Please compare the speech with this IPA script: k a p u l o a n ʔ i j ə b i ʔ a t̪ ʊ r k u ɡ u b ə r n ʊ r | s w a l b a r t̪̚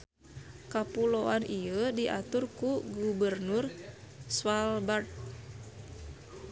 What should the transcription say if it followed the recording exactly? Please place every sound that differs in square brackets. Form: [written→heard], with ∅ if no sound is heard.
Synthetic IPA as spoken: k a p u l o a n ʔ i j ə [b→d] i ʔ a t̪ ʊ r k u ɡ u b ə r n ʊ r | s w a l b a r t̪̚